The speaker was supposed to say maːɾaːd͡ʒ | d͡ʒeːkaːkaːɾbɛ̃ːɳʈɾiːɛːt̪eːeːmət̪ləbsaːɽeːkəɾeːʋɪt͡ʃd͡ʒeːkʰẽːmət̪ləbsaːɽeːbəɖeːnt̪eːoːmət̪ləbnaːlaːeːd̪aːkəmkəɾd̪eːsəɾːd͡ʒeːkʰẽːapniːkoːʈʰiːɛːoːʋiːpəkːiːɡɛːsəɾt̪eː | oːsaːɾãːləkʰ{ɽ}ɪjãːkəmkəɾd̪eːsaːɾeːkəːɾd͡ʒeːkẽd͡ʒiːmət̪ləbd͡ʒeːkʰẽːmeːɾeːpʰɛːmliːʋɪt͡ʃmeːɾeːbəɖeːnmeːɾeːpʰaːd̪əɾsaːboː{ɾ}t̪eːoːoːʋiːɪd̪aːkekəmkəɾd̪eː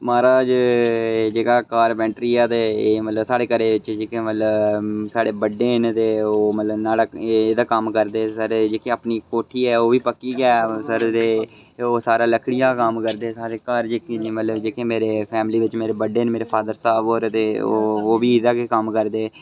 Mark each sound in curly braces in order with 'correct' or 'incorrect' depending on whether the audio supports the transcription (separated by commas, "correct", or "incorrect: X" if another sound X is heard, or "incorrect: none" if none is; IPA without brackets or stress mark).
correct, correct